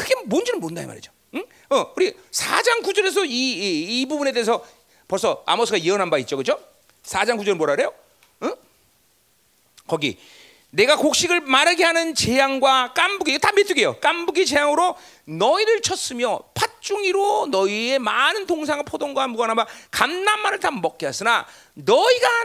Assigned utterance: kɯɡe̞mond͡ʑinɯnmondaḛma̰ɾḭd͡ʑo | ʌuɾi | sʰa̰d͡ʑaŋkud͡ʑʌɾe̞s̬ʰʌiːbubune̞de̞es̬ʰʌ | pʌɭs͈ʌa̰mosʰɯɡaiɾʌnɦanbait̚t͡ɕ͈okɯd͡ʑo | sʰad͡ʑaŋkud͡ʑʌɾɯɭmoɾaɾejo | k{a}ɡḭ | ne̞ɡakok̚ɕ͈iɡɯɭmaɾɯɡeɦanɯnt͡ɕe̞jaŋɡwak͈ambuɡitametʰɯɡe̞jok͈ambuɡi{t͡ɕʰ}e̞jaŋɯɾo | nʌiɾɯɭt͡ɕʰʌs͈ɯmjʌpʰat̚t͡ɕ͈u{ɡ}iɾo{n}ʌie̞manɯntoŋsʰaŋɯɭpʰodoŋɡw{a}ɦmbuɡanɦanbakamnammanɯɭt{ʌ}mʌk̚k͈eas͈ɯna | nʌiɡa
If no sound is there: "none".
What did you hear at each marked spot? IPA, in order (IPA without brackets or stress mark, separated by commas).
ʌ, t͡ɕ, ŋ, n, a, a